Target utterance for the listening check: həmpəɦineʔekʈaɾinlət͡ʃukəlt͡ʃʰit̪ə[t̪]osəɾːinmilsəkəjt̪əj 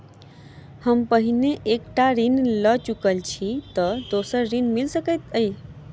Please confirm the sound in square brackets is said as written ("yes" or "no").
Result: no